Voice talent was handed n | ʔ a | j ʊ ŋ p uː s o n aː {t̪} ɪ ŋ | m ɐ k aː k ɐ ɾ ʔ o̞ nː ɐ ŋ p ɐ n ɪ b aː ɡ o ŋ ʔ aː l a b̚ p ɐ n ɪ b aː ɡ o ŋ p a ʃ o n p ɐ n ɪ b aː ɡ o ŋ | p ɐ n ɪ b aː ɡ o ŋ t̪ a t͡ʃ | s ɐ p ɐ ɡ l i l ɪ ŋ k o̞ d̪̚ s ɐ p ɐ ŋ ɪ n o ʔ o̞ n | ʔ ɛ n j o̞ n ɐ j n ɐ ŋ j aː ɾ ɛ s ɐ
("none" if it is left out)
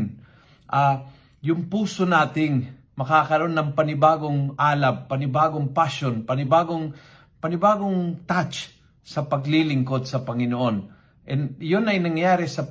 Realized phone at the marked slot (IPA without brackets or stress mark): t̪